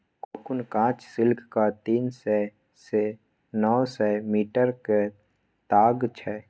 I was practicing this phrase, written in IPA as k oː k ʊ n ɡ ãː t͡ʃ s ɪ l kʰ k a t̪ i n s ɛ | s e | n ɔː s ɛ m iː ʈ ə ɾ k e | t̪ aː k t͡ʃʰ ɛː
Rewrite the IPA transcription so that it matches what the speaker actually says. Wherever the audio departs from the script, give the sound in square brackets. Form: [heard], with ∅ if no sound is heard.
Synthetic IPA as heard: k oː k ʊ n [k] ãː t͡ʃ s ɪ l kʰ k a t̪ [iː] n s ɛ | s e | n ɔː s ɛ m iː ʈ ə ɾ k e | t̪ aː [ɡ] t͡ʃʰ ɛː